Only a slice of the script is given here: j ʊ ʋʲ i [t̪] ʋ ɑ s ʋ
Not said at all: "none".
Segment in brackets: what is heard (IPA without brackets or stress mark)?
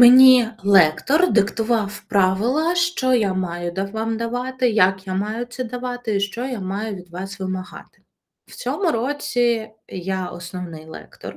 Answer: d̪